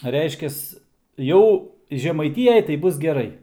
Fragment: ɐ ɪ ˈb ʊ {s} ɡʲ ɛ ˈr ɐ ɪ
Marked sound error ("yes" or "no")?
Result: no